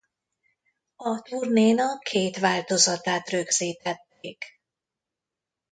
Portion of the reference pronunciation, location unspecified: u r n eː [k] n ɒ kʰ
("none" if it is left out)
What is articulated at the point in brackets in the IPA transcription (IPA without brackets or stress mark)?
none